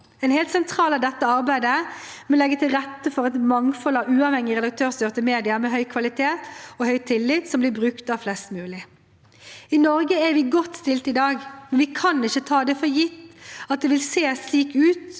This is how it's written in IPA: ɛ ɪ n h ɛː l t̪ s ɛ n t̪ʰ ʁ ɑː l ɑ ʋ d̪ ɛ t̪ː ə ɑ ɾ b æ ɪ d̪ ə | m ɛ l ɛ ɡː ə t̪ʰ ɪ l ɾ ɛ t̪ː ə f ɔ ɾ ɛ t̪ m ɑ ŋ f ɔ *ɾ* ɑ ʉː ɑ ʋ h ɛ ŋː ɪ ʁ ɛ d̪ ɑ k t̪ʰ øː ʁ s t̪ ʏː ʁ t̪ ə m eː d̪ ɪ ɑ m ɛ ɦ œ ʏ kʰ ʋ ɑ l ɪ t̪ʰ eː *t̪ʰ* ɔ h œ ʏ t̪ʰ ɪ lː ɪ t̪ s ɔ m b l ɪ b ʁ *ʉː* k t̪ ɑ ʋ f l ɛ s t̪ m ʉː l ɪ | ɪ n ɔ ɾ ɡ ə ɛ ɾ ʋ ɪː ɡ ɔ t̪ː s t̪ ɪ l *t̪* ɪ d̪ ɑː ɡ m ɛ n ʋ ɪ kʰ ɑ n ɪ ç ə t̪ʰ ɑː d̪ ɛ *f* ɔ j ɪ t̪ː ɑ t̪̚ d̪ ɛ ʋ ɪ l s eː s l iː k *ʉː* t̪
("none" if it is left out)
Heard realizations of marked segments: l, t̪, ʉ, t̪, f, ʉː

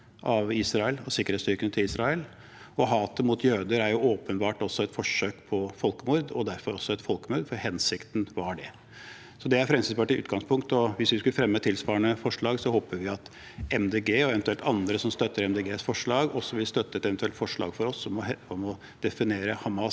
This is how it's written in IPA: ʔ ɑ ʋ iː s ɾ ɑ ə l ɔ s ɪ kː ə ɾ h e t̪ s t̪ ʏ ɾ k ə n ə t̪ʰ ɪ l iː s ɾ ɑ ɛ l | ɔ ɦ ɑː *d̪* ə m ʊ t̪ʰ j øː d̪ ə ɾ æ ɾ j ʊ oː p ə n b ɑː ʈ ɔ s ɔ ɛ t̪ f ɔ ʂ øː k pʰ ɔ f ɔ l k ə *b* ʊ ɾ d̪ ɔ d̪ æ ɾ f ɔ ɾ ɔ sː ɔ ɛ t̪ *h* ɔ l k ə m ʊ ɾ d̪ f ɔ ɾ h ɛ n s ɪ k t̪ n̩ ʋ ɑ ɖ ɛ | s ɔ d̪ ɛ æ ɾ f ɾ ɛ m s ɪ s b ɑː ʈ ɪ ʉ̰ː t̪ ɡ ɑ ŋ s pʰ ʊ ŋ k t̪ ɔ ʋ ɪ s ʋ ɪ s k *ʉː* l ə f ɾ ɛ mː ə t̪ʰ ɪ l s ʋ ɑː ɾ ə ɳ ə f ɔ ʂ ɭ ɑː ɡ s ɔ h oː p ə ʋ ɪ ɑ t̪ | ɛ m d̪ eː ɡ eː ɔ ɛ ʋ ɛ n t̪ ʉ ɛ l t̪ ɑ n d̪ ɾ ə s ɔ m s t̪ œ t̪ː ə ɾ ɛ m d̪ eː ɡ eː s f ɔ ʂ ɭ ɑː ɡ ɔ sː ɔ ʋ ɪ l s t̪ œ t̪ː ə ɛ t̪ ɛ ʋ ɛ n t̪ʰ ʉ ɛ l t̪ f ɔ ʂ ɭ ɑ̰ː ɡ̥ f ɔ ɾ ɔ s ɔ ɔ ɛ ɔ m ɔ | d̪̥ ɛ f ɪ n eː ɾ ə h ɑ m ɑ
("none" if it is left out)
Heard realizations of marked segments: t̪, m, f, ʉ

